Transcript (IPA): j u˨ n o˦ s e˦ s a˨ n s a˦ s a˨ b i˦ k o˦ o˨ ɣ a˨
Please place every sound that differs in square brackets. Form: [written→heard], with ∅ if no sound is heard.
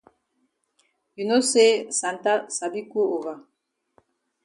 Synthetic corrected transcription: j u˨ n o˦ s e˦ s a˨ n [s→t] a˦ s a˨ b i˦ k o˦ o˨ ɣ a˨

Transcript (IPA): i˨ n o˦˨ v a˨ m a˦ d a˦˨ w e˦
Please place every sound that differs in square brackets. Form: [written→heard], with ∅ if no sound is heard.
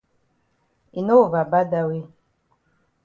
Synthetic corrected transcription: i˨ n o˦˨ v a˨ [m→b] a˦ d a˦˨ w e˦

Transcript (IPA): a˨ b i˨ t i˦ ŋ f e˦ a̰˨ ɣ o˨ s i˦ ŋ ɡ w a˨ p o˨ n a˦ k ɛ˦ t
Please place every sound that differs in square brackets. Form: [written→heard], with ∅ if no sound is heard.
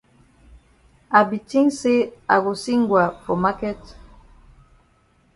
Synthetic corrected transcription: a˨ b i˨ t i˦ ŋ [f→s] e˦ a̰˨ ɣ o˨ s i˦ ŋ ɡ w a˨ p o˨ [n→m] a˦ k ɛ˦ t

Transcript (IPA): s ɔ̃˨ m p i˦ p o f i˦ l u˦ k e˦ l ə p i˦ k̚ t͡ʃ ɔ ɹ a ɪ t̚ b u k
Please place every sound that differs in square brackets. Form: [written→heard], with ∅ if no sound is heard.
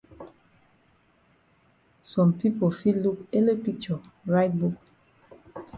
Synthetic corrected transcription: s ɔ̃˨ m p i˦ p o f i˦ l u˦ k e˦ l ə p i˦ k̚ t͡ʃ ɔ ɹ a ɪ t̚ b u k

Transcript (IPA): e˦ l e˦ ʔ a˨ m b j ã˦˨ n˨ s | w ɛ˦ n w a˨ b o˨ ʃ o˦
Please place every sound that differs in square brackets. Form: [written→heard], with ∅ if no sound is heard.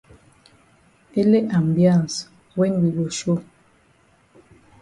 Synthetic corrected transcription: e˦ l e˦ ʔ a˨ m b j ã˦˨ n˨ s | w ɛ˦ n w [a˨→i˨] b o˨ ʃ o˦

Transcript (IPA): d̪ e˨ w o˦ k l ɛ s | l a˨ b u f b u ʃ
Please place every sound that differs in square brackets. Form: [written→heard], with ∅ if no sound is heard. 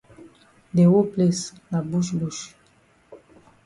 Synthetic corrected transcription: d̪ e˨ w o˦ [k→p] l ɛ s | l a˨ b u [f→ʃ] b u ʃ

